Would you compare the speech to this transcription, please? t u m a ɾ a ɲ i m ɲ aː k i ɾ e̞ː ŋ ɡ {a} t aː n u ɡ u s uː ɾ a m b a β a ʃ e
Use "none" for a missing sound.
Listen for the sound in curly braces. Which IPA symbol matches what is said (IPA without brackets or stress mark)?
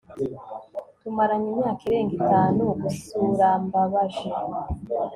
i